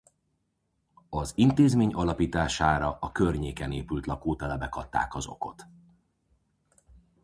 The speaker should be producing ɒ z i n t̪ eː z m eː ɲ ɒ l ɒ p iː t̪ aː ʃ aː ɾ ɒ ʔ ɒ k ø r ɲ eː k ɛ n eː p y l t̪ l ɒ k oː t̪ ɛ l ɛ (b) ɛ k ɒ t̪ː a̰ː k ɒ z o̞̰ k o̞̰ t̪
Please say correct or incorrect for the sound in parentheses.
correct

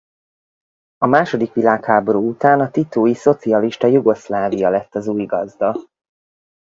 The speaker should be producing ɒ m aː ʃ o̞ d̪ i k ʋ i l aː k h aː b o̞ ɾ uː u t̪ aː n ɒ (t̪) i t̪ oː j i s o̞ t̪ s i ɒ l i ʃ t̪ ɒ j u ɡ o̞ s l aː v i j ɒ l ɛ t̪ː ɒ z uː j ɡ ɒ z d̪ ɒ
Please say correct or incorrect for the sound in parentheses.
correct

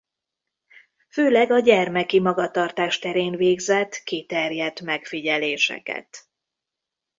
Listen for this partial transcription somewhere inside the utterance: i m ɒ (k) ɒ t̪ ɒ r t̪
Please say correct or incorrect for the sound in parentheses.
incorrect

